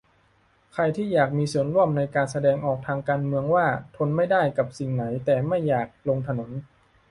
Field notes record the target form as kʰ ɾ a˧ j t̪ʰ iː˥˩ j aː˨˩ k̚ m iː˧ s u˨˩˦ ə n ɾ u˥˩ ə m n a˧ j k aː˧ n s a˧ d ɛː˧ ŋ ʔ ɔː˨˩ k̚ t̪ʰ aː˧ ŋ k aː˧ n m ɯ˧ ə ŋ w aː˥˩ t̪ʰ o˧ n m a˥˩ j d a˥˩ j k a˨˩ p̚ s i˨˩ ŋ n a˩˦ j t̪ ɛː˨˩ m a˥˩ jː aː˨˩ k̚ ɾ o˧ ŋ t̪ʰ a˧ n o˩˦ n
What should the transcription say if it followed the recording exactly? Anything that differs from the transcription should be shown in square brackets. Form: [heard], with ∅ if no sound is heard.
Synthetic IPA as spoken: kʰ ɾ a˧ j t̪ʰ iː˥˩ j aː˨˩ k̚ m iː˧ s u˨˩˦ ə n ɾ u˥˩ ə m n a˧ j k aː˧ n s a˧ d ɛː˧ ŋ ʔ ɔː˨˩ k̚ t̪ʰ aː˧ ŋ k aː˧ n m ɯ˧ ə ŋ w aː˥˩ t̪ʰ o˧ n m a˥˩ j d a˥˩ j k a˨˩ p̚ s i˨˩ ŋ n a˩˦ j t̪ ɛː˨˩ m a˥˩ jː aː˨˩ k̚ [l] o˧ ŋ t̪ʰ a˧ n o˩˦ n